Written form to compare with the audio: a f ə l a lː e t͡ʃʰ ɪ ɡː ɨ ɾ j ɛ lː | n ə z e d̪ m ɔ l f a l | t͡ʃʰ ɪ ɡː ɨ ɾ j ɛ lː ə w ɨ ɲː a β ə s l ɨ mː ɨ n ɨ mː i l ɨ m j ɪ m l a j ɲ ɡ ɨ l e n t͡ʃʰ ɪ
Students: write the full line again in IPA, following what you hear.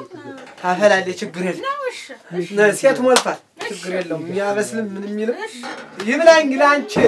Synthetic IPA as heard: a f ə l a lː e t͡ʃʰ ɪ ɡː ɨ ɾ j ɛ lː | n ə s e t̪ m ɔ l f a l | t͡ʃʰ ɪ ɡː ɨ ɾ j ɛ lː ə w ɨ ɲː a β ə s l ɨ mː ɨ n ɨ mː i l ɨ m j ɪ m l a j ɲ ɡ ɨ l a n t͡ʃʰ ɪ